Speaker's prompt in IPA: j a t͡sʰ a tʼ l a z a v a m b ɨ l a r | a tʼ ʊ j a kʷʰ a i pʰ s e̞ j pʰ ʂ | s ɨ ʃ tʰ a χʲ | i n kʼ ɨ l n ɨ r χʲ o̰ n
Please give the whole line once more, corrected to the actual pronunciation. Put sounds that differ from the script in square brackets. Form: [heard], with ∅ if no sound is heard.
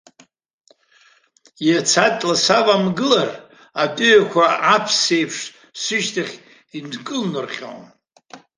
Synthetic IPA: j a t͡sʰ a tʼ l a [s] a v a m [ɡ] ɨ l a r | a tʼ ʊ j a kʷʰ a [a] pʰ s e̞ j pʰ ʂ | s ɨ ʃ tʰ a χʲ | i n kʼ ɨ l n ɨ r χʲ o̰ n